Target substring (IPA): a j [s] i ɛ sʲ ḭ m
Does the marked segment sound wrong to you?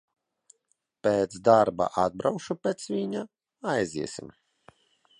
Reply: yes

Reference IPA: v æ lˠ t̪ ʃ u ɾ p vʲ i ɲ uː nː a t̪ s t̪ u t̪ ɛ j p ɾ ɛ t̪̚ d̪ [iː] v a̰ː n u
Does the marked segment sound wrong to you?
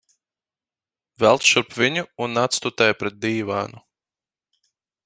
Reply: no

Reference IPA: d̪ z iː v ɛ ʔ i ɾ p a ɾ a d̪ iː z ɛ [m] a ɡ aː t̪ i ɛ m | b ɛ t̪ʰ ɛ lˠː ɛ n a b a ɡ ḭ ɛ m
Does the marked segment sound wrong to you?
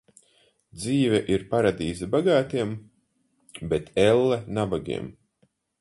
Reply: yes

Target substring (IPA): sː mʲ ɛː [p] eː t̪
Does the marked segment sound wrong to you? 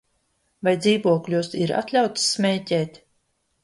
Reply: yes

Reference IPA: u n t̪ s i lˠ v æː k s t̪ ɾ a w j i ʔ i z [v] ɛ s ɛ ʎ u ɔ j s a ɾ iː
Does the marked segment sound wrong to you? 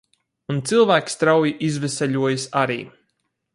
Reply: no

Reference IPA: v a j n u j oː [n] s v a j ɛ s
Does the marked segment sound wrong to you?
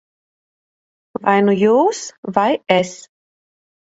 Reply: yes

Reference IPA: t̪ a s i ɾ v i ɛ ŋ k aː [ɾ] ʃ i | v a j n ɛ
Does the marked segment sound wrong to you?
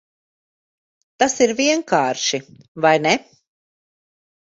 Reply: no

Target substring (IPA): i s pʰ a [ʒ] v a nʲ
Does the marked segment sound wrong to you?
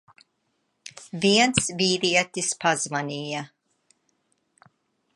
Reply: yes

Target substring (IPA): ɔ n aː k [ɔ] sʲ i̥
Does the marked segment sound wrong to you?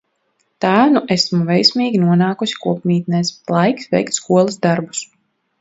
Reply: yes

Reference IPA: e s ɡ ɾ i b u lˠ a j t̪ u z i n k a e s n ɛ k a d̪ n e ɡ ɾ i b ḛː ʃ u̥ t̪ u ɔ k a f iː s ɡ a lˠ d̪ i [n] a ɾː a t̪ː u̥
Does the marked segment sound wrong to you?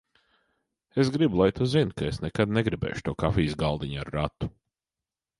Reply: yes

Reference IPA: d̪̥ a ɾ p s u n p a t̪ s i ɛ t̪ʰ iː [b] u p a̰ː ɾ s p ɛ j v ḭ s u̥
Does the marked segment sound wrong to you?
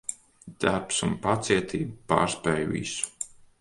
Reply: no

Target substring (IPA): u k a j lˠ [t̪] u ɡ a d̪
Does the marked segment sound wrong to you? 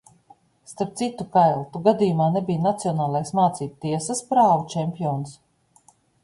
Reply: no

